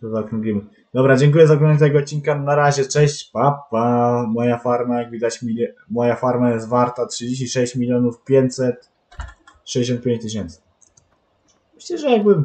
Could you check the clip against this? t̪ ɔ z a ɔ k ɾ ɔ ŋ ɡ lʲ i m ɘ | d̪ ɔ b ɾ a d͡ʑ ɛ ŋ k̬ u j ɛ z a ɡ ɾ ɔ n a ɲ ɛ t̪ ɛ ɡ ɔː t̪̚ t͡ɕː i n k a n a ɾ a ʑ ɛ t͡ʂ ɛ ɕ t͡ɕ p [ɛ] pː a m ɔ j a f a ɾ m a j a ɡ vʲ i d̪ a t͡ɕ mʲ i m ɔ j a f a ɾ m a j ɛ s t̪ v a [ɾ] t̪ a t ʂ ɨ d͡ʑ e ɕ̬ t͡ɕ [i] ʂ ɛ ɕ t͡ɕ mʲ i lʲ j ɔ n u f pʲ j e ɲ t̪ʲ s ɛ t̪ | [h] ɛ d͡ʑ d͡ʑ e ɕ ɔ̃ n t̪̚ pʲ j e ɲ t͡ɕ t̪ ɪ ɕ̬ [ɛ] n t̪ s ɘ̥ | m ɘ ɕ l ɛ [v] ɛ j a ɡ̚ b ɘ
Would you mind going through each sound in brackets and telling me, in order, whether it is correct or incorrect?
incorrect: a, correct, correct, incorrect: ʂ, correct, incorrect: ʐ

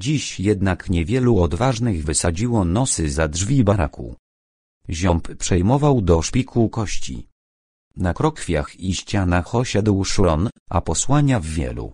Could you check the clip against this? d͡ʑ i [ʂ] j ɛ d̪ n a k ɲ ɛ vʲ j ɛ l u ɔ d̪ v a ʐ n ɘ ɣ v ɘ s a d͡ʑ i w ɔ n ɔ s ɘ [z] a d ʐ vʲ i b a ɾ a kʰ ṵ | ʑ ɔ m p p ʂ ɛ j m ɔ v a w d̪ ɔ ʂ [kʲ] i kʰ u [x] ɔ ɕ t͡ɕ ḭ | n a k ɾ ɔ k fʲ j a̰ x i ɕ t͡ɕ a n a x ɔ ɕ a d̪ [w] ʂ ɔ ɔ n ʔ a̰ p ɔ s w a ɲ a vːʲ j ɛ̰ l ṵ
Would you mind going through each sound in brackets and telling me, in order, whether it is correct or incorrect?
incorrect: ɕ, correct, incorrect: pʲ, incorrect: k, correct

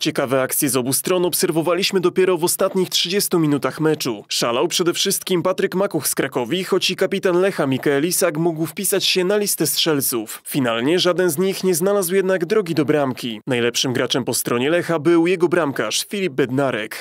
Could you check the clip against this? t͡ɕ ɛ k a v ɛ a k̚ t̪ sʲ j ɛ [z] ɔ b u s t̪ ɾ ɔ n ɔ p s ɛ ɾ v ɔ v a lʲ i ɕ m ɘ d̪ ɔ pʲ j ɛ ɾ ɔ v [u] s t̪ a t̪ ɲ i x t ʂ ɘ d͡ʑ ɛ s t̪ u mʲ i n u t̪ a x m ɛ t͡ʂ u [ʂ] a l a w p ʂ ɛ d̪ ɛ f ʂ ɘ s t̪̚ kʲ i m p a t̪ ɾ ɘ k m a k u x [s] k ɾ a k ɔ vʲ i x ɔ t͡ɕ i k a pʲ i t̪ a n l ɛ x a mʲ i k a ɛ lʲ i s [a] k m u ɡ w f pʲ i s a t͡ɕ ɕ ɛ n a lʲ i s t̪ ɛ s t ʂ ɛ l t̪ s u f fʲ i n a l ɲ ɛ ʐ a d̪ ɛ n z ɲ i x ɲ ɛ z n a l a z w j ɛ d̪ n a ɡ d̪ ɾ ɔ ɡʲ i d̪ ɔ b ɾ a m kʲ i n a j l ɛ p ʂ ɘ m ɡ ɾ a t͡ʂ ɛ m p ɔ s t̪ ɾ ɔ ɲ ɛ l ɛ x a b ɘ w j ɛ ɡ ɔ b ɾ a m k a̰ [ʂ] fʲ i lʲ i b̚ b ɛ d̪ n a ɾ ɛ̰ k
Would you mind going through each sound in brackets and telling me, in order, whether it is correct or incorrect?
correct, incorrect: ɔ, correct, correct, correct, correct

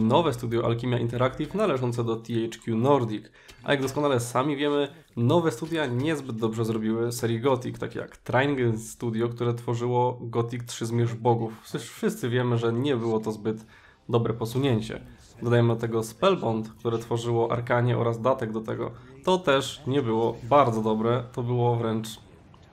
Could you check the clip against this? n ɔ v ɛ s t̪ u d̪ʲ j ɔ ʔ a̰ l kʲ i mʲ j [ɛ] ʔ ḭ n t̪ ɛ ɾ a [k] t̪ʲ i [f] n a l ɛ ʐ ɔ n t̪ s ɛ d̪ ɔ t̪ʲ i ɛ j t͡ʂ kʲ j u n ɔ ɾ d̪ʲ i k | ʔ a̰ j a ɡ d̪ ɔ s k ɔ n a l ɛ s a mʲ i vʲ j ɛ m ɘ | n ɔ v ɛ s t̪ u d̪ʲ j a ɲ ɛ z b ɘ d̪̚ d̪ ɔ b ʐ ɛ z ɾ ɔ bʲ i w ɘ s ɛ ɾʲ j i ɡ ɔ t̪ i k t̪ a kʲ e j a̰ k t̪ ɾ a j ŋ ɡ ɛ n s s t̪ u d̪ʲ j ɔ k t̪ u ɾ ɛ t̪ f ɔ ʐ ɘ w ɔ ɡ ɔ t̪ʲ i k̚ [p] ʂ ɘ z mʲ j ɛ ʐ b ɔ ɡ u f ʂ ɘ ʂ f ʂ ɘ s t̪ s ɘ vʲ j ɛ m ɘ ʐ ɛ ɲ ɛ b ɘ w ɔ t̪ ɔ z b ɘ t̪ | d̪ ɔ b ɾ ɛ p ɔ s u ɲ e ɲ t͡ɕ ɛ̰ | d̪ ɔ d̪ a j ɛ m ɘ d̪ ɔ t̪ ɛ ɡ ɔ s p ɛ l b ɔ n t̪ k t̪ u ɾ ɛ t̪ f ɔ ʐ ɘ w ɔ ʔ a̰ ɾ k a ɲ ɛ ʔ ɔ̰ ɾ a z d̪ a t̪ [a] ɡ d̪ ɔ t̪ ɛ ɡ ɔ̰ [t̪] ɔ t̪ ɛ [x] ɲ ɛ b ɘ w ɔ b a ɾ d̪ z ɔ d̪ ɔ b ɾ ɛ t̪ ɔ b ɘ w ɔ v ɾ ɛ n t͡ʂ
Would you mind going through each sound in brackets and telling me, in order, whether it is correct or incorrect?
incorrect: a, correct, correct, incorrect: t, incorrect: ɛ, correct, incorrect: ʂ

